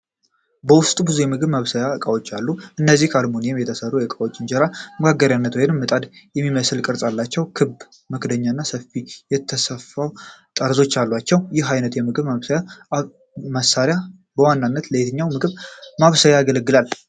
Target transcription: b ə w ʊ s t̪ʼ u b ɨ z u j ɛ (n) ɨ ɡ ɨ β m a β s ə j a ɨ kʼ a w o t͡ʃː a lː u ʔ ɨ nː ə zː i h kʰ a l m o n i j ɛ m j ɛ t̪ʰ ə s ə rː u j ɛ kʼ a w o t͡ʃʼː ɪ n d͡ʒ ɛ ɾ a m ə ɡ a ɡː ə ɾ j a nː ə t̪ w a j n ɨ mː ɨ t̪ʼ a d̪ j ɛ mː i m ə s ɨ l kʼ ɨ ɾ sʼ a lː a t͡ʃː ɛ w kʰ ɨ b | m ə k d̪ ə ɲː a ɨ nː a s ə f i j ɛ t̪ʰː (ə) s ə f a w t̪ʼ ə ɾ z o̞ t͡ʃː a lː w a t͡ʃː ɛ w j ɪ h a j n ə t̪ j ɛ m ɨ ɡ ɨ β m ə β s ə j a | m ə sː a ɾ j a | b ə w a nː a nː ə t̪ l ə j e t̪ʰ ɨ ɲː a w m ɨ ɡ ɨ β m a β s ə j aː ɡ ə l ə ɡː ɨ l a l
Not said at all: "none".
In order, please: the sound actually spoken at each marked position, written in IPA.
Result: m, ə

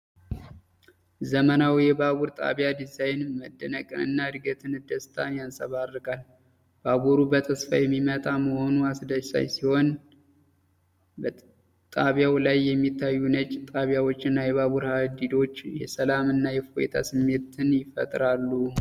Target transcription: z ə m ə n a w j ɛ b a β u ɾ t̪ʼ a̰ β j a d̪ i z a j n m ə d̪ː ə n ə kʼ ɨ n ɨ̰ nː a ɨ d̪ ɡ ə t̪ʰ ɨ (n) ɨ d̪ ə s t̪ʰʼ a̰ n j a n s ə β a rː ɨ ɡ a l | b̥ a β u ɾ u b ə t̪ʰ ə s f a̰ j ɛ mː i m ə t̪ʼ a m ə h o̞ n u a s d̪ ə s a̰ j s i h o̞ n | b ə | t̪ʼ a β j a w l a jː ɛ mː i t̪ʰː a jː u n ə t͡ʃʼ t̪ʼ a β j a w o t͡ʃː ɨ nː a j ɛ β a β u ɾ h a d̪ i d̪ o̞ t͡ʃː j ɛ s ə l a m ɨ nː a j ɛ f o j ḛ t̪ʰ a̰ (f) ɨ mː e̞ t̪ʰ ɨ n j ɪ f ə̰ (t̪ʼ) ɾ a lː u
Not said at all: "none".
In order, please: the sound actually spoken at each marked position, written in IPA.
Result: n, s, t̪ʼ

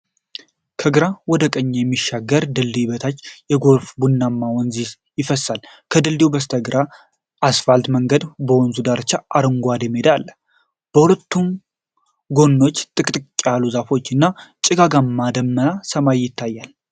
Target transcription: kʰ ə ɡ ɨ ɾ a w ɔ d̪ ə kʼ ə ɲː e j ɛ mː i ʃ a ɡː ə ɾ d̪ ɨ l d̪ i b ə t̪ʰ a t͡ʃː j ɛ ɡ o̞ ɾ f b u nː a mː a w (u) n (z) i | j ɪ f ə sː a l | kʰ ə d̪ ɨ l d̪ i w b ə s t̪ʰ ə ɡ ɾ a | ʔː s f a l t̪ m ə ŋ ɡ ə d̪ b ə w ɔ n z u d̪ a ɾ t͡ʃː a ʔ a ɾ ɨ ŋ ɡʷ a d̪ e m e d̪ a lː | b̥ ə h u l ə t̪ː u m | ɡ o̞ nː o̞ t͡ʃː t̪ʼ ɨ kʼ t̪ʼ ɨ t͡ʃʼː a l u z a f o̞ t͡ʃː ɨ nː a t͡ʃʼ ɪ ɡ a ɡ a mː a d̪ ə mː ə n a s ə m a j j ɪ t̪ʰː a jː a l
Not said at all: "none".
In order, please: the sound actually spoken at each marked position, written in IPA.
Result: ɔ, z

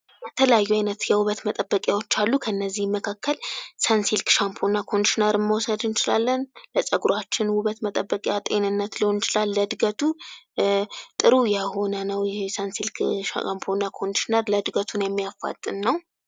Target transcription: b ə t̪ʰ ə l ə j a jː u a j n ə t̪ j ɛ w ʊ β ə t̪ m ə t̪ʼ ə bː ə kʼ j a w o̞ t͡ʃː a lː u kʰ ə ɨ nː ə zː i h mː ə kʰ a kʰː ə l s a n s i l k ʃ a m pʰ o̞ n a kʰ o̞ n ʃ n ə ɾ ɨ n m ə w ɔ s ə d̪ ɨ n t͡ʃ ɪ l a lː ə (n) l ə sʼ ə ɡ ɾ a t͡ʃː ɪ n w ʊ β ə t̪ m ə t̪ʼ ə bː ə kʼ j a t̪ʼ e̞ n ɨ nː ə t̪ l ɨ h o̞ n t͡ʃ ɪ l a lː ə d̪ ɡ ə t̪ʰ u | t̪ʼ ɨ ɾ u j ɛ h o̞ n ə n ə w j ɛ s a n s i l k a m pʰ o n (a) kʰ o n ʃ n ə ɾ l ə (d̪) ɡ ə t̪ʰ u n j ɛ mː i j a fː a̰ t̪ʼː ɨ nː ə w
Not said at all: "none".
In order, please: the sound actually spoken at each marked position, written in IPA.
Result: n, a, d̪

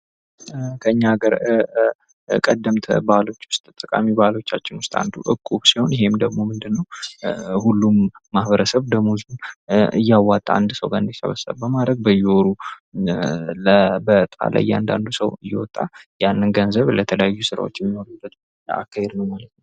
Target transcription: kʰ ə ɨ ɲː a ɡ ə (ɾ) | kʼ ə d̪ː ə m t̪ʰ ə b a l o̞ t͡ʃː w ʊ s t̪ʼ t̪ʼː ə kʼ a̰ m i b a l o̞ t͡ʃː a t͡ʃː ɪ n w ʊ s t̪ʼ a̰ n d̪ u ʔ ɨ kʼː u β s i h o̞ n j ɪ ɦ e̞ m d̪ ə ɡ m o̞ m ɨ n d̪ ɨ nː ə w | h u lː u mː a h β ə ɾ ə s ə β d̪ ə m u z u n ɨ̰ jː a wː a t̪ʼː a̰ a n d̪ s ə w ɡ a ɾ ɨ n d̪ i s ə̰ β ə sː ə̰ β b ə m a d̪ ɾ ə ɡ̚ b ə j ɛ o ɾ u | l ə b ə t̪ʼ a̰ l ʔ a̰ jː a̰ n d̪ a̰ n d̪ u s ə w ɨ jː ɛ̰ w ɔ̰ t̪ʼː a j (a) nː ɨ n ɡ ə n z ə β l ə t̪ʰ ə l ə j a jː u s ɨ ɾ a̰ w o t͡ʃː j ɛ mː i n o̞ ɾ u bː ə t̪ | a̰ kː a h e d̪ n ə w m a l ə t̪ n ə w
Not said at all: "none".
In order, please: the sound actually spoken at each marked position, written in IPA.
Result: ɾ, a

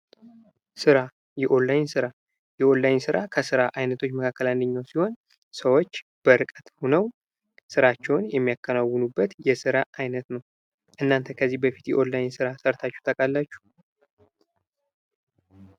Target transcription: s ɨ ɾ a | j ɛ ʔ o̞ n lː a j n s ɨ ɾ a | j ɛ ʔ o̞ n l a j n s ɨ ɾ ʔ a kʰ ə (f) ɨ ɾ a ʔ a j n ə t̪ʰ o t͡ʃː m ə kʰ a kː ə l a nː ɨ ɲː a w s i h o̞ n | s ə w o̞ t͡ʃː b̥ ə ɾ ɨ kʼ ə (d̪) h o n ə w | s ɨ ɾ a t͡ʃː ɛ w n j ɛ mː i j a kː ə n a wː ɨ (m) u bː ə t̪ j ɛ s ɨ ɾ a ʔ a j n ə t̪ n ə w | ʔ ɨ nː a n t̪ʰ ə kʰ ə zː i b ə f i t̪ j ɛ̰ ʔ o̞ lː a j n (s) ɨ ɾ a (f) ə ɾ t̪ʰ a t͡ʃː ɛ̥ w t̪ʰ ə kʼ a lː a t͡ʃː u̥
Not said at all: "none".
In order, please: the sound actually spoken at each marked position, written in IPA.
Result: s, t̪, n, s, s

